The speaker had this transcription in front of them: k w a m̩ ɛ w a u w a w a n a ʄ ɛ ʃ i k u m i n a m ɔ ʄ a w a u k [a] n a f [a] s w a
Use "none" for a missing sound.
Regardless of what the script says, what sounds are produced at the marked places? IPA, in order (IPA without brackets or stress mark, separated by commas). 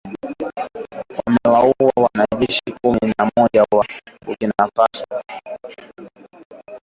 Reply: i, a